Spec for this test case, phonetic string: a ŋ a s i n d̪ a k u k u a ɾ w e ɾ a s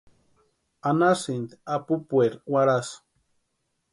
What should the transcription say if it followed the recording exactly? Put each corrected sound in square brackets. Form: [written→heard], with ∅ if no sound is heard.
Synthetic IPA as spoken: a [ŋ→n] a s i n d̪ a [k→p] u [k→p] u [a→e] ɾ w [e→a] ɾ a s